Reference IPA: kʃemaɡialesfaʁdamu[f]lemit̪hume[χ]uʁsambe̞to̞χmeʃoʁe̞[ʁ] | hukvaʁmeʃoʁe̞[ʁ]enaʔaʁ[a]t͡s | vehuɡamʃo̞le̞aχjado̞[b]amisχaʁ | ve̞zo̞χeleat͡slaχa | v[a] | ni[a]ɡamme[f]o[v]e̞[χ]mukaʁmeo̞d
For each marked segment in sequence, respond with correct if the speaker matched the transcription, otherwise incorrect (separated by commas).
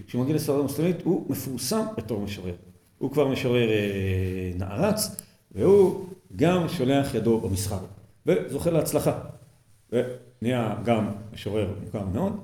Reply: incorrect, incorrect, correct, correct, correct, correct, incorrect, correct, incorrect, incorrect, incorrect